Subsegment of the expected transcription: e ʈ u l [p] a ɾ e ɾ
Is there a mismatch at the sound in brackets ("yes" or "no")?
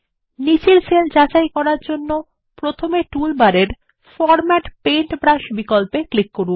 yes